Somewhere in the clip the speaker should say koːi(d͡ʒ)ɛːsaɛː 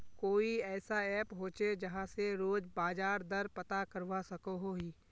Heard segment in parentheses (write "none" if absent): none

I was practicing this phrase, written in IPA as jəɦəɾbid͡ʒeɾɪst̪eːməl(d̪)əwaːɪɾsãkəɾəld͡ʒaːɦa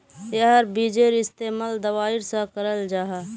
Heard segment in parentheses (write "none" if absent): d̪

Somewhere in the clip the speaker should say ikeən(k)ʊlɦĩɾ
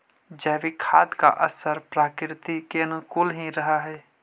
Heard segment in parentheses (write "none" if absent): k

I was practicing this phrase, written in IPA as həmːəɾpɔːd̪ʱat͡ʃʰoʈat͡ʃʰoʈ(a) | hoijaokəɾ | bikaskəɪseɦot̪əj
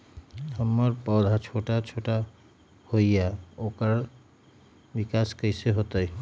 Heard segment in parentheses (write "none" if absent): a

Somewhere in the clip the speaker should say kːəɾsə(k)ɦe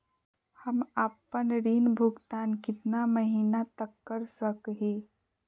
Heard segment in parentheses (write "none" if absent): k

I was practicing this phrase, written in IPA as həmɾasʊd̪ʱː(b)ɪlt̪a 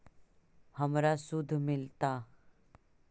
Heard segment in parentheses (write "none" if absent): m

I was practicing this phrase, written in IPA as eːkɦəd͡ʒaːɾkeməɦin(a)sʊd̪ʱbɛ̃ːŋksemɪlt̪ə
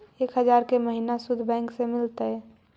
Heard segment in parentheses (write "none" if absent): a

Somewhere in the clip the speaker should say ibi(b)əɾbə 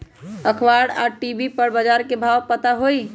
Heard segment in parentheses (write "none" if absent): p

